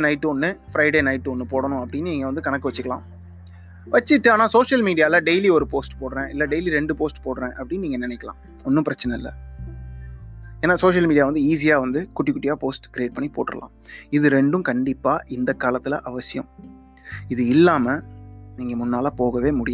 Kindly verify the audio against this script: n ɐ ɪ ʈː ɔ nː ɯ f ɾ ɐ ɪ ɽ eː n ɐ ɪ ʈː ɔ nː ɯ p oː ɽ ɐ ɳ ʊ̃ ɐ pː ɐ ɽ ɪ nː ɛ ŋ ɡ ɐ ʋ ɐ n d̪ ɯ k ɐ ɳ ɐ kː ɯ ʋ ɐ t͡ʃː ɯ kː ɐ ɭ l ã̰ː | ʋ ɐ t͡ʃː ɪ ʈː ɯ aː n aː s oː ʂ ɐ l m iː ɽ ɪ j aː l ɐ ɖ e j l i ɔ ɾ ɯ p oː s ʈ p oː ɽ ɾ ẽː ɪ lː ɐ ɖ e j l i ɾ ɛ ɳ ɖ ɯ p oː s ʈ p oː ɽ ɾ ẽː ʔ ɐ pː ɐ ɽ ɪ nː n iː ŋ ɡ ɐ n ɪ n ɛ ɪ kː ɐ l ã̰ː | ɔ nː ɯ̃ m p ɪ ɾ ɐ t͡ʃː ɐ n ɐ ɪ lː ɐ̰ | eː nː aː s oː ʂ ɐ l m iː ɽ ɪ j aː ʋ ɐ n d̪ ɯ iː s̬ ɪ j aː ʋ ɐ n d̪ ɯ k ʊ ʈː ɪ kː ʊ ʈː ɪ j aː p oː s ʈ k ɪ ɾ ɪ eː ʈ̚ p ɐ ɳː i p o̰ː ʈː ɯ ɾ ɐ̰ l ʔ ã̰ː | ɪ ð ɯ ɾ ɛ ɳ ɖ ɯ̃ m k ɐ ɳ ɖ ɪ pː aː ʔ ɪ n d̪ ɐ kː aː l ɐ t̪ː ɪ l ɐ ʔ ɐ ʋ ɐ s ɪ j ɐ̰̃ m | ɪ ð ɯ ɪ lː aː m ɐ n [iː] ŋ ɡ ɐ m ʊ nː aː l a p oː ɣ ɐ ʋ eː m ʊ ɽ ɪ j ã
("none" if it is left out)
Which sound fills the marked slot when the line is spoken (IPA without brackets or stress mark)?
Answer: iː